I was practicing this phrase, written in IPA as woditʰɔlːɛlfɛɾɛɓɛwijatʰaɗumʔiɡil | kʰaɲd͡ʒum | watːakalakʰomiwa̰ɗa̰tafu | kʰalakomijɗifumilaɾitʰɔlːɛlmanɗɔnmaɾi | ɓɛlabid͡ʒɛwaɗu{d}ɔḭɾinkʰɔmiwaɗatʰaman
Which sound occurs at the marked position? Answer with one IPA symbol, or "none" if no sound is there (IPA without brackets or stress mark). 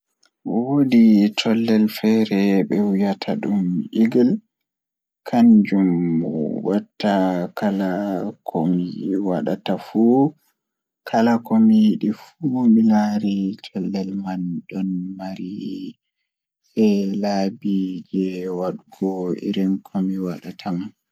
ɡ